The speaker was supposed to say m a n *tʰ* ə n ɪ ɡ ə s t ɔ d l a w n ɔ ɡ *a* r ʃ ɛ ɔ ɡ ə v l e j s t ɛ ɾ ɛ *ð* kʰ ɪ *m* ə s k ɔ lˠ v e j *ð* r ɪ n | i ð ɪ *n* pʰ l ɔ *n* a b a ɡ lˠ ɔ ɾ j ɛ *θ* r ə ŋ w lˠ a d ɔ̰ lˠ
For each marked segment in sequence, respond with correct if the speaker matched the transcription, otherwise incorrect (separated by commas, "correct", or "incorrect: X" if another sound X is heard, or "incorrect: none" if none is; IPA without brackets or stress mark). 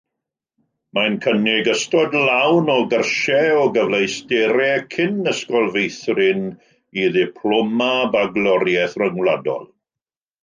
incorrect: kʰ, incorrect: ə, incorrect: none, incorrect: n, incorrect: θ, incorrect: none, incorrect: m, correct